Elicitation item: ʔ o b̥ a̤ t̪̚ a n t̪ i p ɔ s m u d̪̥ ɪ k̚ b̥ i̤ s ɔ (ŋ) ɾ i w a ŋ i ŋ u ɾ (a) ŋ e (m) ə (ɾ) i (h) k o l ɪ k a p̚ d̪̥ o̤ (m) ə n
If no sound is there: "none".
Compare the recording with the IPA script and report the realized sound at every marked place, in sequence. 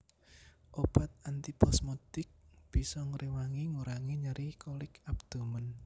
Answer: ŋ, a, ɲ, ɾ, h, m

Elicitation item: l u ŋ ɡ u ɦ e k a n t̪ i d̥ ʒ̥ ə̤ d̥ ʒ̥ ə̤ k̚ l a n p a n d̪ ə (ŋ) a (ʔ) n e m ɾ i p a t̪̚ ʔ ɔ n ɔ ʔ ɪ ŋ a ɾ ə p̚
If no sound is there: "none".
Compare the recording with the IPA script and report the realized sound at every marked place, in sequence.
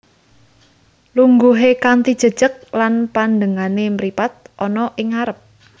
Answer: ŋ, none

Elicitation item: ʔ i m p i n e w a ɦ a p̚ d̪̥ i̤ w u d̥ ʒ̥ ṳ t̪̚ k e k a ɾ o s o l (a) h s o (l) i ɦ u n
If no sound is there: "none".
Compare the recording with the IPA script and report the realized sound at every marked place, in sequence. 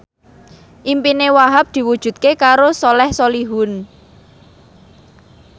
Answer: ɛ, l

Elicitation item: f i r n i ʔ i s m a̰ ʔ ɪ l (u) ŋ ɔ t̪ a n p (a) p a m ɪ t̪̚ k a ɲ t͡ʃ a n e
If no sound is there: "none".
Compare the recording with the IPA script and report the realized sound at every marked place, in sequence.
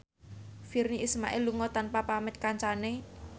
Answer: u, a

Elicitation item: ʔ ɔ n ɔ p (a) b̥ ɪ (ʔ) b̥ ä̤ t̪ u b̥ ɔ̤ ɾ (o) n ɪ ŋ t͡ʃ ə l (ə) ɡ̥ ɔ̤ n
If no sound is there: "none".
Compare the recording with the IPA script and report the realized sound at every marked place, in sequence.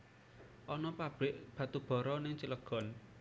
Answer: a, ʔ, ɔ, ə

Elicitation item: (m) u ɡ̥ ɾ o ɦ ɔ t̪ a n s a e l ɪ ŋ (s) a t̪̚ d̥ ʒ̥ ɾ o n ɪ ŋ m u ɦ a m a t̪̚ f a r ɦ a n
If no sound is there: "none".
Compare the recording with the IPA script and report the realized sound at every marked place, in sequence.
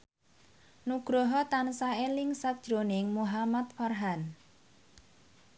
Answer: n, s

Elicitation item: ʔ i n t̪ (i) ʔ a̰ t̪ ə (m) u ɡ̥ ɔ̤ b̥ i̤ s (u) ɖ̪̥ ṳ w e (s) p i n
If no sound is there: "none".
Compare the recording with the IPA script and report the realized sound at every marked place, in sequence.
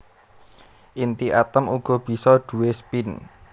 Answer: i, m, ɔ, s

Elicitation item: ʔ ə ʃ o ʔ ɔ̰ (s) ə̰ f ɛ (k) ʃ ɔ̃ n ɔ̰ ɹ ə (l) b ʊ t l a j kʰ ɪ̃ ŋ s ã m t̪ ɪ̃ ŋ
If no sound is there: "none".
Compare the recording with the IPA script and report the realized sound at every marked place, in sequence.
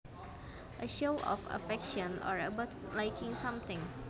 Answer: f, k, none

